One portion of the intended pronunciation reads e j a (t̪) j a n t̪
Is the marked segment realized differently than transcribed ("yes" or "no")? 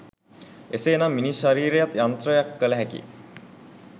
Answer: no